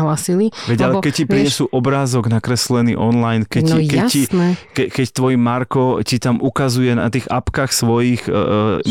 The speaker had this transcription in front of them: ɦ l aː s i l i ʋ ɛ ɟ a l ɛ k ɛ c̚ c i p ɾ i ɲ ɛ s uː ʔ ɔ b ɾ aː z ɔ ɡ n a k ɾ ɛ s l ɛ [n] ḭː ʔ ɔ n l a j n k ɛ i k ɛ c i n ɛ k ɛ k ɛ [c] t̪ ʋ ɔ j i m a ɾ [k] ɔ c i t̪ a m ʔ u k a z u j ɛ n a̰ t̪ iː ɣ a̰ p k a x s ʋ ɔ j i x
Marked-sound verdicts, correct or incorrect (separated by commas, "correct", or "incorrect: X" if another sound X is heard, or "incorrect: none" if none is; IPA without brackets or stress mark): correct, correct, correct